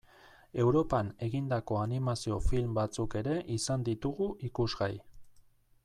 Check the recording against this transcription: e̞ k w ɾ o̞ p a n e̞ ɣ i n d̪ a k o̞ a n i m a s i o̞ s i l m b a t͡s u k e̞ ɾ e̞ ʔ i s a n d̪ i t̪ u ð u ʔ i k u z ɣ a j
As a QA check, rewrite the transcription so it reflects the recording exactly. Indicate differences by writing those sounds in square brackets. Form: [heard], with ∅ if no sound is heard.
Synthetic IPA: e̞ [∅] w ɾ o̞ p a n e̞ ɣ i n d̪ a k o̞ a n i m a s i o̞ [f] i l m b a t͡s u k e̞ ɾ e̞ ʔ i s a n d̪ i t̪ u [ɣ] u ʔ i k u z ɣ a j